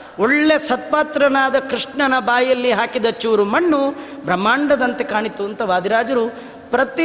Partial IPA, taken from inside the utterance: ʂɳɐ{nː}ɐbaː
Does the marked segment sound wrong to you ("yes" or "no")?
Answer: yes